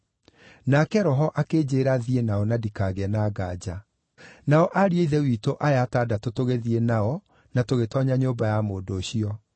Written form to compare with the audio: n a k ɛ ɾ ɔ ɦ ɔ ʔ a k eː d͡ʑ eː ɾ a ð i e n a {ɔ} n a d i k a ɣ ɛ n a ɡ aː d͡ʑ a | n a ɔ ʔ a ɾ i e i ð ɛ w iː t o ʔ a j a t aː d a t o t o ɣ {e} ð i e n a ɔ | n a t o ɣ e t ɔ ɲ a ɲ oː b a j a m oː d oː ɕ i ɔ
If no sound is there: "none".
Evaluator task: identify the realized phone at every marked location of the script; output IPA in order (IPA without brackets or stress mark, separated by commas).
ɔ, e